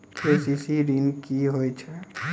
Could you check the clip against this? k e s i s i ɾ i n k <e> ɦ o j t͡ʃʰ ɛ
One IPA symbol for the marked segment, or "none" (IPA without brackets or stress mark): i